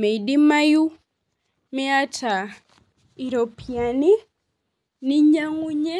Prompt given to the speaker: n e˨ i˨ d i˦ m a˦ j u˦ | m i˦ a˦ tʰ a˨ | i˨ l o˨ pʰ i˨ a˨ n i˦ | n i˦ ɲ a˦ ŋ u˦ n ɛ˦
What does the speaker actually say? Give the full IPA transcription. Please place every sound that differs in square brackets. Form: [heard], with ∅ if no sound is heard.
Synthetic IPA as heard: [m] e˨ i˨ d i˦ m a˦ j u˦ | m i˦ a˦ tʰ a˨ | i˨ [ɾ] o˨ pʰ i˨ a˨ n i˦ | n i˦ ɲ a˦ ŋ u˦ [ɲ] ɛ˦

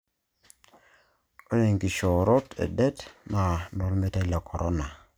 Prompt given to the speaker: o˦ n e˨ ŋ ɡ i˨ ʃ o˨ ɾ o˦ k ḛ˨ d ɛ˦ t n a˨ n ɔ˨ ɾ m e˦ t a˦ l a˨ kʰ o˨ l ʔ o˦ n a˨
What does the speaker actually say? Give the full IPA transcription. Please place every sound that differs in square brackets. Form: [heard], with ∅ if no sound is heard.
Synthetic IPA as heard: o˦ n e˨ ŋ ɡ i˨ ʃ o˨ ɾ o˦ [t] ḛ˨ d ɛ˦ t n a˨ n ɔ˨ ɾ m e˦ t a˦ l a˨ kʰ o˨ [ɾ] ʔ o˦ n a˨

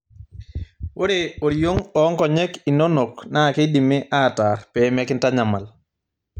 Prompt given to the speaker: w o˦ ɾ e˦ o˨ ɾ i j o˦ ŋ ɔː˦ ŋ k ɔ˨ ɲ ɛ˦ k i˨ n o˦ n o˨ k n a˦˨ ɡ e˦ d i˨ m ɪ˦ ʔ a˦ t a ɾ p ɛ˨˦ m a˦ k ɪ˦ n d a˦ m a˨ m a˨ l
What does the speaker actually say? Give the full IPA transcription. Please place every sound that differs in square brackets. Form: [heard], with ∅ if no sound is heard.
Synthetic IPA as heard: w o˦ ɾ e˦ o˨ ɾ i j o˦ ŋ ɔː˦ ŋ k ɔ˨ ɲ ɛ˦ k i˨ n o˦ n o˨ k n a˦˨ [k] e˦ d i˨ m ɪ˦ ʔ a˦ t a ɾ p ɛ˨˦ m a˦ k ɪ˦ n [t] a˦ [ɲ] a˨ m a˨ l

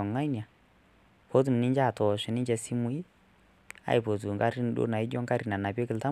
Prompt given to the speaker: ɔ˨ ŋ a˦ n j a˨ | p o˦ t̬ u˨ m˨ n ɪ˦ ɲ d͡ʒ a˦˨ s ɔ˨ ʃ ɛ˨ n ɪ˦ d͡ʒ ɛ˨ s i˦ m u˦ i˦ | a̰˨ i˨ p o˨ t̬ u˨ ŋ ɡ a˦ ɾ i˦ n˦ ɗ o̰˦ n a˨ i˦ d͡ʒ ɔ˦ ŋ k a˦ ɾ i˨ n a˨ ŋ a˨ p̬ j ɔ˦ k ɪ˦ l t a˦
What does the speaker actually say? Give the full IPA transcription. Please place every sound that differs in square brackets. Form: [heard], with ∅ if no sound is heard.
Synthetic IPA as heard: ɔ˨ ŋ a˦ n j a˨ | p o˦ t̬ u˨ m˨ n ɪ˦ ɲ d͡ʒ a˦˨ [t] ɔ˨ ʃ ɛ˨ n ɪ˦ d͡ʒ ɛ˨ s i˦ m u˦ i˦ | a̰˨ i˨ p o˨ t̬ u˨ ŋ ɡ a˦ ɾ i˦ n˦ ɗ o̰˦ n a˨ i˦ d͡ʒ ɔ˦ ŋ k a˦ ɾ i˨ n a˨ [n] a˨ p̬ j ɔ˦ k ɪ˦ l t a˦

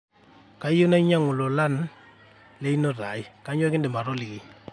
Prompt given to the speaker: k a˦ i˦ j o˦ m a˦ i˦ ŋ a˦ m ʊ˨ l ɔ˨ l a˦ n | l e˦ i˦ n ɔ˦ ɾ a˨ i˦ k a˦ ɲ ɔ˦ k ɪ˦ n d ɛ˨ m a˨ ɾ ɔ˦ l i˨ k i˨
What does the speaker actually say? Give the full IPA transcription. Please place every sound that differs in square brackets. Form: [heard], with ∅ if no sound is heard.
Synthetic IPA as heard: k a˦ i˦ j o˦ [n] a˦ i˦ [ɲ] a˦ [ŋ] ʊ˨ l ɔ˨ l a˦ n | l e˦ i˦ n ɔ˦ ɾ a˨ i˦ k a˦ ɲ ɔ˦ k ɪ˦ n d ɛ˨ m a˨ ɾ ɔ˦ l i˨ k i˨

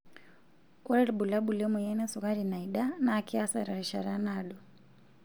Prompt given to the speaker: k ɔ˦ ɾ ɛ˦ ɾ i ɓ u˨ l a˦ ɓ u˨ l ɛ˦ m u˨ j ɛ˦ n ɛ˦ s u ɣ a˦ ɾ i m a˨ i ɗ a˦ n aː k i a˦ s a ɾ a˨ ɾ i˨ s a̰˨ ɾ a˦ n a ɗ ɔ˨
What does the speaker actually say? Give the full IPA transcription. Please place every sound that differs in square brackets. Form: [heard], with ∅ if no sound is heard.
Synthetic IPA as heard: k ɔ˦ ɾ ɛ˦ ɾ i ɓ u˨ l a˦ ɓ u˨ l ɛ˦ m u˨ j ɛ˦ n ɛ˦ s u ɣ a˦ ɾ i [n] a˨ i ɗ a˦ n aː k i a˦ s a ɾ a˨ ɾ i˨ [ʃ] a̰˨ ɾ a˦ n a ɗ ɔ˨

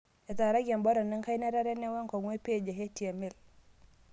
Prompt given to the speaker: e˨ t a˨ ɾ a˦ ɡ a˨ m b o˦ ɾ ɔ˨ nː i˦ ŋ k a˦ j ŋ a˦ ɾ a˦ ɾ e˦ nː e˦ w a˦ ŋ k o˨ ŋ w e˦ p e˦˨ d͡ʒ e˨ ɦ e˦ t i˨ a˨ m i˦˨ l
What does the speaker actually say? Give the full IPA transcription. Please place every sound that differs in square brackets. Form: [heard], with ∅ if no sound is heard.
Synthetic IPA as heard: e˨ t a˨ ɾ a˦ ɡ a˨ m b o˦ ɾ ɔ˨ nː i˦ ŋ k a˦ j [n] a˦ ɾ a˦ ɾ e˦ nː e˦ w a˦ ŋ k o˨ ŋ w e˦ p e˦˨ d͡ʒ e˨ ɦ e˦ t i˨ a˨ m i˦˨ l

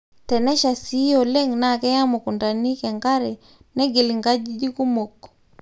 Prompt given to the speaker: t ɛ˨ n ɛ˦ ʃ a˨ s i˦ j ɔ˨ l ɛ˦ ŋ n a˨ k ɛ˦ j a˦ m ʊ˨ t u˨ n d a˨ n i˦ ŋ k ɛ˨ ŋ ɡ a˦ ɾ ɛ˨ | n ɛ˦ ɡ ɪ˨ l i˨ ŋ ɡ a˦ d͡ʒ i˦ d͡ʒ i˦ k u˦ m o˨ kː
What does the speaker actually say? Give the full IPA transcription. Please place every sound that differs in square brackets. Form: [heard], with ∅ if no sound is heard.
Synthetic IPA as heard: t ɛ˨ n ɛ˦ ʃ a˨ s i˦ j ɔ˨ l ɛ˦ ŋ n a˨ k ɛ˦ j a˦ m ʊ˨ [k] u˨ n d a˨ n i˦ [∅] k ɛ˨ ŋ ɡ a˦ ɾ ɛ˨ | n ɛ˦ ɡ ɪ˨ l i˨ ŋ ɡ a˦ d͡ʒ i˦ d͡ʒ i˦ k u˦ m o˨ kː

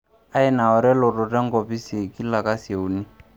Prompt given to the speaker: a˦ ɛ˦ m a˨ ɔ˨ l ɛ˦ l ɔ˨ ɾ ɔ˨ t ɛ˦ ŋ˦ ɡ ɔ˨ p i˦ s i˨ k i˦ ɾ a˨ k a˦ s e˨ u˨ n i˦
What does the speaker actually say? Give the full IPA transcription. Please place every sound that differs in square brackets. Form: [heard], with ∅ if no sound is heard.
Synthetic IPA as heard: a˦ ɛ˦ [n] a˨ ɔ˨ [ɾ] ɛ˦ l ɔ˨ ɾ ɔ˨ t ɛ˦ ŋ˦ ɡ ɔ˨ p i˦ s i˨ k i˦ [l] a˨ k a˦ s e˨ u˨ n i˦

